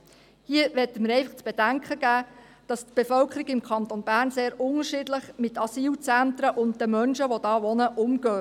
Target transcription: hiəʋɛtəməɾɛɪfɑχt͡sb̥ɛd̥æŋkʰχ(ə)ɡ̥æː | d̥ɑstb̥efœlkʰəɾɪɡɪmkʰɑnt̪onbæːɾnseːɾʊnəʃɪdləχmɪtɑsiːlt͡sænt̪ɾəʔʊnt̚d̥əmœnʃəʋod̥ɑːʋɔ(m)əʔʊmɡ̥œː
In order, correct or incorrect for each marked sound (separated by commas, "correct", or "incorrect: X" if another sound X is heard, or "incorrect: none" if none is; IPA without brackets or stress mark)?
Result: correct, incorrect: n